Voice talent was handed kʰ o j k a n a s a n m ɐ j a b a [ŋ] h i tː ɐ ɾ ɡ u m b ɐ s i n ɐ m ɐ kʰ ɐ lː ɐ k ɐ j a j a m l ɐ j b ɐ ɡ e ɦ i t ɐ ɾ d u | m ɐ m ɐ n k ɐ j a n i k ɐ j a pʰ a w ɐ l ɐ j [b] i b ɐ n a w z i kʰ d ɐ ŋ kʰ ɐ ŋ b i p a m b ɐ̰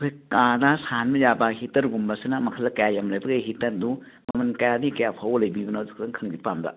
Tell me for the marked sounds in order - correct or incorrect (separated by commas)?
incorrect, correct